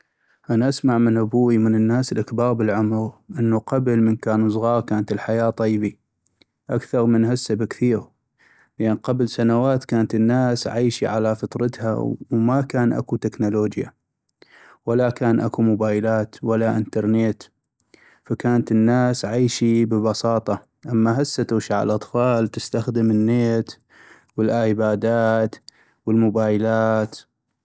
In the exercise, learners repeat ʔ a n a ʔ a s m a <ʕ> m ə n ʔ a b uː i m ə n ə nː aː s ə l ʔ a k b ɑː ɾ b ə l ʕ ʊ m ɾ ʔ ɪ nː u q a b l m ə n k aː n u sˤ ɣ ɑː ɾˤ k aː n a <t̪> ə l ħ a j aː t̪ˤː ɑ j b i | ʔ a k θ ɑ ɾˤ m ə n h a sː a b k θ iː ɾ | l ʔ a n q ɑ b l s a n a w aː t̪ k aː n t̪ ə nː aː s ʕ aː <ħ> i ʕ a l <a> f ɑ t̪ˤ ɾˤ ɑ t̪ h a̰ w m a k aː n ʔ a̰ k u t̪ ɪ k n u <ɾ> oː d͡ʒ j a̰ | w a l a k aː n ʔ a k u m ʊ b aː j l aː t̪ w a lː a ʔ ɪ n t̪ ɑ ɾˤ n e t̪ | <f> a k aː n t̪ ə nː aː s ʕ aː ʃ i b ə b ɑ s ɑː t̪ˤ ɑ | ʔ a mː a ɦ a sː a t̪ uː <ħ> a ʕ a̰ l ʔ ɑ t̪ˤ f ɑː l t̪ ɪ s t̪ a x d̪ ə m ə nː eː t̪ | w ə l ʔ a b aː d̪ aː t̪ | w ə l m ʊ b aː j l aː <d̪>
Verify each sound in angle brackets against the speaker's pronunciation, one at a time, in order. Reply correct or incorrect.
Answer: correct, correct, incorrect: ʃ, correct, incorrect: l, correct, incorrect: ʃ, incorrect: t̪

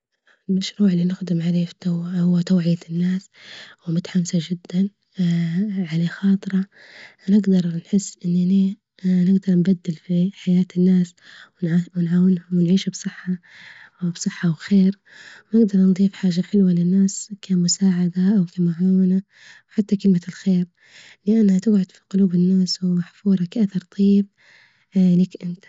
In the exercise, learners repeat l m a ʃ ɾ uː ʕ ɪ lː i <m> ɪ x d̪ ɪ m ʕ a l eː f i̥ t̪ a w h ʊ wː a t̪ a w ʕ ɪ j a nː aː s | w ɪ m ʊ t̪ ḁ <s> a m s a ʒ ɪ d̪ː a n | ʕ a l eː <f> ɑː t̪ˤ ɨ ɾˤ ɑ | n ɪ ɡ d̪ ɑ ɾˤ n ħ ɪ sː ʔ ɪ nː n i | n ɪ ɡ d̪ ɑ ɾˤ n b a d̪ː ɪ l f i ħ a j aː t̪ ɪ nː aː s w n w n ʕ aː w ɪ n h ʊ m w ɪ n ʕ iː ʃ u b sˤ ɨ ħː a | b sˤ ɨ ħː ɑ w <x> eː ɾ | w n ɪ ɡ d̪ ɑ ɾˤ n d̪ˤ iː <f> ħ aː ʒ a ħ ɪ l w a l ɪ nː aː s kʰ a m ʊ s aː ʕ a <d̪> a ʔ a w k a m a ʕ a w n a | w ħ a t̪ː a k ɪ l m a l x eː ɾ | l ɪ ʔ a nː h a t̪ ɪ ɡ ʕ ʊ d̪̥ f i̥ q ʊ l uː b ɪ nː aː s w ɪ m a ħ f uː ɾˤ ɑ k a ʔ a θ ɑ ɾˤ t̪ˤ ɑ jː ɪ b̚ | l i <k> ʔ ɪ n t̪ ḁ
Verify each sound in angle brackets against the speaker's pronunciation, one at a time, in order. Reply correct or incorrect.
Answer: incorrect: n, incorrect: ħ, incorrect: x, correct, correct, correct, correct

